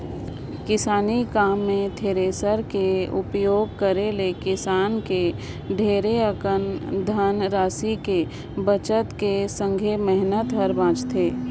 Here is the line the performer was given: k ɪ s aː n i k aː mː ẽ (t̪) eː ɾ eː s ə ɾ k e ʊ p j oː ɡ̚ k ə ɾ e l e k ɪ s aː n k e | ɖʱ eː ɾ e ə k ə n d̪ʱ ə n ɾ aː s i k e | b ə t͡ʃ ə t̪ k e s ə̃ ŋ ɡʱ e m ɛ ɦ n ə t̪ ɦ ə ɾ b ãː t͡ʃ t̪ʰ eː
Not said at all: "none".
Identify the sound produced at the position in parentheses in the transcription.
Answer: t̪ʰ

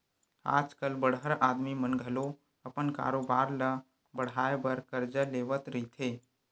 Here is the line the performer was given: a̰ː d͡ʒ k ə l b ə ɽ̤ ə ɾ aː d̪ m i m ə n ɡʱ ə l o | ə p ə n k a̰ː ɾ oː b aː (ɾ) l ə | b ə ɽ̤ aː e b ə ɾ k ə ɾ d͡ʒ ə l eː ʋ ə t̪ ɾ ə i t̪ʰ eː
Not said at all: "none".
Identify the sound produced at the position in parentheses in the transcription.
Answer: ɾ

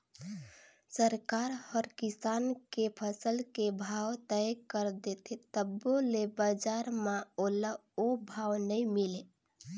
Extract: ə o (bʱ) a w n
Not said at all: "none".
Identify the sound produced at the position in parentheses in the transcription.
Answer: bʱ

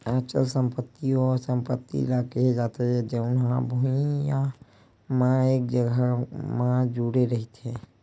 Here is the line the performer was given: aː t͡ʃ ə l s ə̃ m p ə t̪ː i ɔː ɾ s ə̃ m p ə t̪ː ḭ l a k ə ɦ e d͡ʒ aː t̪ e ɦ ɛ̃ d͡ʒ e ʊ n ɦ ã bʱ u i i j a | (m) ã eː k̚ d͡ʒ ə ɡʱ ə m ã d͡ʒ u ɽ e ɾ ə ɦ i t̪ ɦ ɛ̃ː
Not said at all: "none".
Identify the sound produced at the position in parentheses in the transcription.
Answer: m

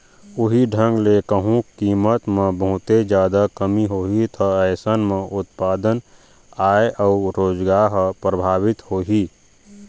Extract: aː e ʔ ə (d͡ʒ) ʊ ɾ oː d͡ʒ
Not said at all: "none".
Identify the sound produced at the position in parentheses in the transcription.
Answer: none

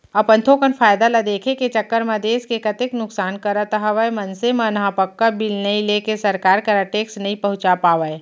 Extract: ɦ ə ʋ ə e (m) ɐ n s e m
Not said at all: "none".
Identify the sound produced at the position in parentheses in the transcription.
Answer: m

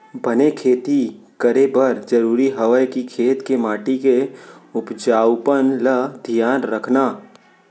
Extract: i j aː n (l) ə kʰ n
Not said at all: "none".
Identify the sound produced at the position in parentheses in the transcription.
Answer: ɾ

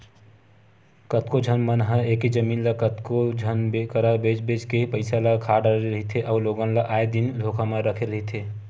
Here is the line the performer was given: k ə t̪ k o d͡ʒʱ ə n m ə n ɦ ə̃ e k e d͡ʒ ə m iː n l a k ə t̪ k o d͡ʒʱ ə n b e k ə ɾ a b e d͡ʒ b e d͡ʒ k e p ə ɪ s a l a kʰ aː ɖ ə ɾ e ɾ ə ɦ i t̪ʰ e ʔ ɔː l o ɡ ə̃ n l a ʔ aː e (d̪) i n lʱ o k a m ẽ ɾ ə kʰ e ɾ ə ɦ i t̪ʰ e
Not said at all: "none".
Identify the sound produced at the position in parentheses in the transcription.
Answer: d̪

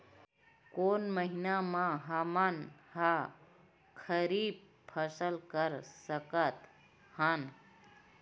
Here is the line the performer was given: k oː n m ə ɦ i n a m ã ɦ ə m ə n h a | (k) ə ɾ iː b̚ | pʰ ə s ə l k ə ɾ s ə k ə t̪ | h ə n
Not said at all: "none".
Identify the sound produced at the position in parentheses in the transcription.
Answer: kʰ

